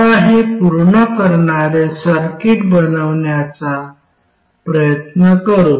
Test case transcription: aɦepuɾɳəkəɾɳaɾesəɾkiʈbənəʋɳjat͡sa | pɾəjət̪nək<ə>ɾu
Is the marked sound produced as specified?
yes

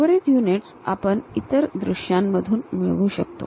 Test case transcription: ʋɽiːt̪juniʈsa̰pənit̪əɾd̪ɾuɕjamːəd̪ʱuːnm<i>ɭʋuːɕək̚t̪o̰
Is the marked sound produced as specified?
yes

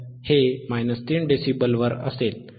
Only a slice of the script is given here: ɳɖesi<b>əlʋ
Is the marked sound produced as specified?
yes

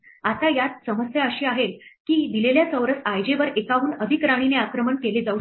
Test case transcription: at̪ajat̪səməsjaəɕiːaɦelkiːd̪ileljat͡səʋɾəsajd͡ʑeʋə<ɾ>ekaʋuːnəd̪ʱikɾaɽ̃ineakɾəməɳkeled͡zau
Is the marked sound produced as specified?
yes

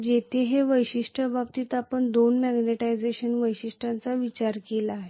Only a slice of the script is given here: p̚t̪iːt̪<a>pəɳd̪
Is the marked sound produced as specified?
yes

